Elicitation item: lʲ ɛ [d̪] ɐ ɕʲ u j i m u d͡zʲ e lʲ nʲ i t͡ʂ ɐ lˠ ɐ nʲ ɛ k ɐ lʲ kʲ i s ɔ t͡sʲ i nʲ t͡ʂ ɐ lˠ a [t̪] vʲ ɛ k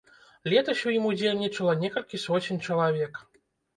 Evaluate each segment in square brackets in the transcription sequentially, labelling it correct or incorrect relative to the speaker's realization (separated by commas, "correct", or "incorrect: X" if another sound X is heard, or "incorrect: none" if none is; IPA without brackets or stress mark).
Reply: incorrect: t̪, incorrect: none